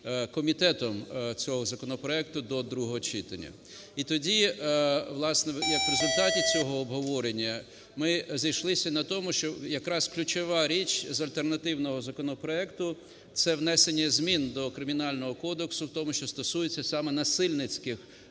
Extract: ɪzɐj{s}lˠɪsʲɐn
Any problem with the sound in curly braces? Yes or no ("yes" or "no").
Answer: yes